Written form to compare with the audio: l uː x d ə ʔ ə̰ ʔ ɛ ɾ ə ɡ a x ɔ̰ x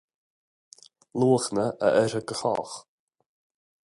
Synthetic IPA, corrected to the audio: l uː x n ə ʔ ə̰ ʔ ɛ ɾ ə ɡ ə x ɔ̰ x